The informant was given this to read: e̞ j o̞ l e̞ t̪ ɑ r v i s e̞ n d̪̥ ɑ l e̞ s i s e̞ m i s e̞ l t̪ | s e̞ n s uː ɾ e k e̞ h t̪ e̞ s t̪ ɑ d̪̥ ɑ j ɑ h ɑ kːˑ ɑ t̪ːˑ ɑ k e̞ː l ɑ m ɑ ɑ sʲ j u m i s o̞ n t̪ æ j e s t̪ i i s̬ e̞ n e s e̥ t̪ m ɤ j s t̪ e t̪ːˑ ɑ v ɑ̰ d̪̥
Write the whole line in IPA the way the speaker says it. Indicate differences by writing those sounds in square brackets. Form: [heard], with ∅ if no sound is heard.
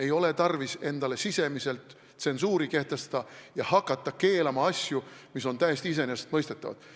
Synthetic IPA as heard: e̞ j o̞ l e̞ t̪ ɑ r v i s e̞ n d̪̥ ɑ l e̞ s i s e̞ m i s e̞ l t̪ | s e̞ n s uː ɾ [i] k e̞ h t̪ e̞ s t̪ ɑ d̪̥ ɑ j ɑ h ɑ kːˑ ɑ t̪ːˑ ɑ k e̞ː l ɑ m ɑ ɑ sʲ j u m i s o̞ n t̪ æ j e s t̪ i i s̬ e̞ n e s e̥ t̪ m ɤ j s t̪ e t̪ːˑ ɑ v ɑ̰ d̪̥

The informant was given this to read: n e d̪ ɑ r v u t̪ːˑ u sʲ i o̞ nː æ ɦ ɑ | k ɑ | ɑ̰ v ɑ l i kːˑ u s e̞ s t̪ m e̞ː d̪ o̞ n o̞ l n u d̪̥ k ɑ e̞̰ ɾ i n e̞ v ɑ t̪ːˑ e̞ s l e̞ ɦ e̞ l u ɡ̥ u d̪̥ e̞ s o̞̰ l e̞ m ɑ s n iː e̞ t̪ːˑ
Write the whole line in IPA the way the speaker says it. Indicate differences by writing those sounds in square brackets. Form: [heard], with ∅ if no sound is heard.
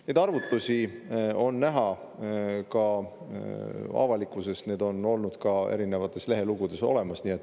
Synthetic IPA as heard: n e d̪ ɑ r v u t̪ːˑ u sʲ i o̞ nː æ ɦ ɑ | k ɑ | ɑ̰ v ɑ l i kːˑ u s e̞ s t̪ [n] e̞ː d̪ o̞ n o̞ l n u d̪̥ k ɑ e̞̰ ɾ i n e̞ v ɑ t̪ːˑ e̞ s l e̞ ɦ e̞ l u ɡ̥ u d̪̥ e̞ s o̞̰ l e̞ m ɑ s n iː e̞ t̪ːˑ

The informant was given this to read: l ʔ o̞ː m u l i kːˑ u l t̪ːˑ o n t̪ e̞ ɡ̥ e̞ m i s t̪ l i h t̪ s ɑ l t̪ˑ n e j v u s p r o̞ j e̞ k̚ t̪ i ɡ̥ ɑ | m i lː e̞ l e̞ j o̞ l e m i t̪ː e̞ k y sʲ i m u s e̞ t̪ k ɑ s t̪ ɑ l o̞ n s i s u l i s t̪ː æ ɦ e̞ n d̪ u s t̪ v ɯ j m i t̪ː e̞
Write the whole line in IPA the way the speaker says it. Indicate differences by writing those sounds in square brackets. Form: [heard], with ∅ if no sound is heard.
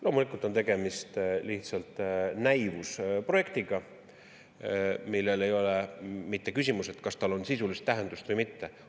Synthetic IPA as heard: l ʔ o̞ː m u l i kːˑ u l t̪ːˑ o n t̪ e̞ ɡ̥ e̞ m i s t̪ l i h t̪ s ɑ l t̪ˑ n [æ] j v u s p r o̞ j e̞ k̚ t̪ i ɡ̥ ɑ | m i lː e̞ l e̞ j o̞ l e m i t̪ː e̞ k y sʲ i m u s e̞ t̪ k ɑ s t̪ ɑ l o̞ n s i s u l i s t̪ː æ ɦ e̞ n d̪ u s t̪ v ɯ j m i t̪ː e̞

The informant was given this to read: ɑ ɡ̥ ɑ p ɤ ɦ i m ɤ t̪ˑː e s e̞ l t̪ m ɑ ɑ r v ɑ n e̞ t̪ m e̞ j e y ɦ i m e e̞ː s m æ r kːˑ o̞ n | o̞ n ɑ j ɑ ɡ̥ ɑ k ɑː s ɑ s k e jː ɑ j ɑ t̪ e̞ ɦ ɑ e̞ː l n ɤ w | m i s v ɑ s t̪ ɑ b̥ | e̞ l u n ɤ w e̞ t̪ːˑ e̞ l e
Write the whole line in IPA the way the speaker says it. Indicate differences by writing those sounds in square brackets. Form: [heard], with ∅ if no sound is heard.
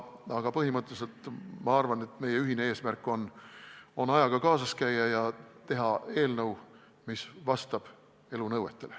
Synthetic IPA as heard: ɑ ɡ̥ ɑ p ɤ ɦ i m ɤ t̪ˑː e s e̞ l t̪ m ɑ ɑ r v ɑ n e̞ t̪ m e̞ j e y ɦ i [n] e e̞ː s m æ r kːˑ o̞ n | o̞ n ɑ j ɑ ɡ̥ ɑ k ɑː s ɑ s k [æ] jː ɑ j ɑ t̪ e̞ ɦ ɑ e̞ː l n ɤ w | m i s v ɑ s t̪ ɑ b̥ | e̞ l u n ɤ w e̞ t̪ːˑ e̞ l e

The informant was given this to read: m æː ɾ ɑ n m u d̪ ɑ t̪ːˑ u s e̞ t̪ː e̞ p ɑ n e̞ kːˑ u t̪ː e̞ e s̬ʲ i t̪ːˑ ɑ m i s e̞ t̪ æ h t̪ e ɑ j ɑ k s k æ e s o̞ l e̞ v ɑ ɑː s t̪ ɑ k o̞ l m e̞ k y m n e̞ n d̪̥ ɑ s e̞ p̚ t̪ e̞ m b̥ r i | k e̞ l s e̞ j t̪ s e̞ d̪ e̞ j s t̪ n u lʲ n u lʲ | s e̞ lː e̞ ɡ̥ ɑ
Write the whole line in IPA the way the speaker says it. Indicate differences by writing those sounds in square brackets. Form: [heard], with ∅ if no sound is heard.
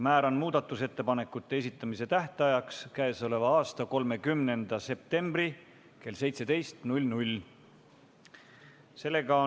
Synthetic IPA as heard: m æː ɾ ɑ n m [uː] d̪ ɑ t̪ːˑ u s e̞ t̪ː e̞ p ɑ n e̞ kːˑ u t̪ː e̞ e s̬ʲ i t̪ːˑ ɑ m i s e̞ t̪ æ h t̪ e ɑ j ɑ k s k æ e s o̞ l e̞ v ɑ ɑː s t̪ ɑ k o̞ l m e̞ k y m n e̞ n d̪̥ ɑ s e̞ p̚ t̪ e̞ m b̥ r i | k e̞ l s e̞ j t̪ s e̞ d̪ e̞ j s t̪ n u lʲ n u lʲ | s e̞ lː e̞ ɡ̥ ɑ

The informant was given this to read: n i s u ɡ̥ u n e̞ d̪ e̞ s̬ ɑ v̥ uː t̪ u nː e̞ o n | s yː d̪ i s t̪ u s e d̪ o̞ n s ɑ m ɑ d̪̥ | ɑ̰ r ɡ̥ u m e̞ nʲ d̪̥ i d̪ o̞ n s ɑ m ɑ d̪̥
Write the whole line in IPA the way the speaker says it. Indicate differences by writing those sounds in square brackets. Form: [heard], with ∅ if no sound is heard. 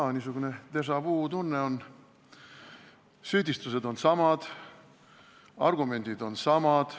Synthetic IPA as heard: n i s u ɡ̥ u n e̞ [t̪] e̞ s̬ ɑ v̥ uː t̪ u nː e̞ o n | s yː d̪ i s t̪ u s e d̪ o̞ n s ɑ m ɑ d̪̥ | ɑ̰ r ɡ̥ u m e̞ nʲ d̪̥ i d̪ o̞ n s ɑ m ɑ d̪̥

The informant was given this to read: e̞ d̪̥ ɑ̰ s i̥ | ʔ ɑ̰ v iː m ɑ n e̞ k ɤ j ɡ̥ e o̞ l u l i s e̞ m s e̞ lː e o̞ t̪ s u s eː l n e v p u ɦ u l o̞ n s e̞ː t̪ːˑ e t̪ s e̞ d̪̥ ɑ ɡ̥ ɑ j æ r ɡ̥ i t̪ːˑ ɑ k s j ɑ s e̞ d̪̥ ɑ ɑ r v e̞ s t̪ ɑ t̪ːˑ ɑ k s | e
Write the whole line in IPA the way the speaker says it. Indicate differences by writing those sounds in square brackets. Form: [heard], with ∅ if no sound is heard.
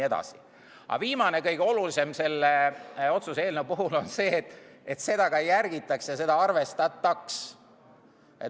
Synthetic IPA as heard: e̞ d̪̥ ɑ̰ s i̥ | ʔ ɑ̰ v iː m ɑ n e̞ k ɤ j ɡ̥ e o̞ l u l i s e̞ m s e̞ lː e o̞ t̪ s u s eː l n e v p u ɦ u l o̞ n s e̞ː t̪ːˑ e t̪ s e̞ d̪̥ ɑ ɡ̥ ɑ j æ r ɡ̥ i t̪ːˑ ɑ k s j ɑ s e̞ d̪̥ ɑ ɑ r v e̞ s t̪ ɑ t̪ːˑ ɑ k s | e

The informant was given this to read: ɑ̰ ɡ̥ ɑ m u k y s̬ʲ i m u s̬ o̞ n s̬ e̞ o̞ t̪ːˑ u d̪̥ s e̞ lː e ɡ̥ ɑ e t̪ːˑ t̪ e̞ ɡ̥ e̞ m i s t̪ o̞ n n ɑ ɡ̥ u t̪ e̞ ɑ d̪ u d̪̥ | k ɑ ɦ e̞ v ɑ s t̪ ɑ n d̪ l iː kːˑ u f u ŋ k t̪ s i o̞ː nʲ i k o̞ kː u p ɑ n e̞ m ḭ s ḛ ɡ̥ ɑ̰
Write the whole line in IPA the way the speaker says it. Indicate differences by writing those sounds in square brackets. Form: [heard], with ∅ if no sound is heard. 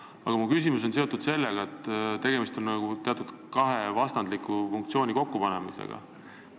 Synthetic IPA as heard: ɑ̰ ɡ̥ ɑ m u k y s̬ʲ i m u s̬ o̞ n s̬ e̞ o̞ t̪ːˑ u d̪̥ s e̞ lː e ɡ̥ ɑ e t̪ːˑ t̪ e̞ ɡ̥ e̞ m i s t̪ o̞ n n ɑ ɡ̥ u t̪ e̞ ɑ [t̪] u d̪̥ | k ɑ ɦ e̞ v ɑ s t̪ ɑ n d̪ l [i] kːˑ u f u ŋ k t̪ s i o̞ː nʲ i k o̞ kː u p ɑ n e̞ m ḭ s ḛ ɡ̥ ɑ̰

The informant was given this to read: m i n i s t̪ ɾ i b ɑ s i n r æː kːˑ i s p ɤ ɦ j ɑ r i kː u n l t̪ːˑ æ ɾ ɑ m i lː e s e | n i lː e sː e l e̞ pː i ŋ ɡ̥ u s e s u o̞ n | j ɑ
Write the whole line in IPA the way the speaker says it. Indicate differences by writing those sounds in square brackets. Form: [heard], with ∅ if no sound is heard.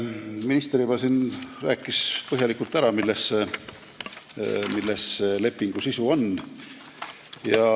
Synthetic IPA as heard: m i n i s t̪ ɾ i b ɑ s i n r æː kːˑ i s p ɤ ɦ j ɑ [l] i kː u [∅] l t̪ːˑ æ ɾ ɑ m i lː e s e | [m] i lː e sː e l e̞ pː i ŋ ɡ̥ u s [i] s u o̞ n | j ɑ

